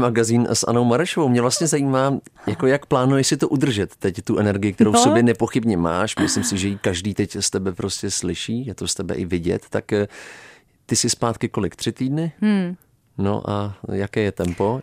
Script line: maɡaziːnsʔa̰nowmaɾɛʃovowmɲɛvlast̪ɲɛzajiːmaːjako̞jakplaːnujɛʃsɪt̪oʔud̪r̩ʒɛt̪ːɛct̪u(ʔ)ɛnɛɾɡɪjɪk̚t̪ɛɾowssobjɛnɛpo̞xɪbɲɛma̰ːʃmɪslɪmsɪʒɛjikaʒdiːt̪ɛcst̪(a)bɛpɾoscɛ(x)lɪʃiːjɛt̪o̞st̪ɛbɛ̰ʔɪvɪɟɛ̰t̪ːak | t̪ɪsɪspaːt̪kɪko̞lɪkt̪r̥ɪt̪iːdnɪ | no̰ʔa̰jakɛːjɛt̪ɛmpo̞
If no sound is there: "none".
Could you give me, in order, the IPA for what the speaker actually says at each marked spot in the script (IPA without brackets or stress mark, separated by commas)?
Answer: ʔ, ɛ, s